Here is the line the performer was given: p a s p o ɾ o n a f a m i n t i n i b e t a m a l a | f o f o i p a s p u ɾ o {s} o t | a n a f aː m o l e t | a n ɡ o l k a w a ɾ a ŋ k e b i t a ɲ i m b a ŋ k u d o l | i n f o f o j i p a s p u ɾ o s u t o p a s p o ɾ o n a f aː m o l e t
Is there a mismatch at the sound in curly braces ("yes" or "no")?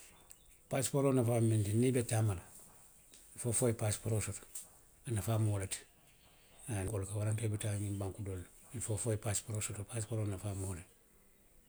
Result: no